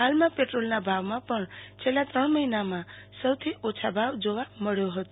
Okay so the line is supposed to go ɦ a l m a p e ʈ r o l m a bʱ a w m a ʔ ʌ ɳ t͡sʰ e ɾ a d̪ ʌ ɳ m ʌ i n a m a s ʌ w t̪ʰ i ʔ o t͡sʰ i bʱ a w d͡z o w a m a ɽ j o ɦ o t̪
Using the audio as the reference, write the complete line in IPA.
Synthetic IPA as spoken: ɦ a l m a p e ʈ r o l n a bʱ a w m a p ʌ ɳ t͡sʰ e l a t̪ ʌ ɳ m ʌ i n a m a s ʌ w t̪ʰ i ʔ o t͡sʰ a bʱ a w d͡z o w a m ʌ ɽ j o ɦ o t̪